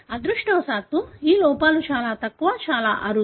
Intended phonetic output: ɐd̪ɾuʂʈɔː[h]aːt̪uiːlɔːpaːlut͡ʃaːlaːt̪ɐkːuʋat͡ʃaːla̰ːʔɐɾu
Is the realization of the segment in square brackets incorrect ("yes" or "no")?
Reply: yes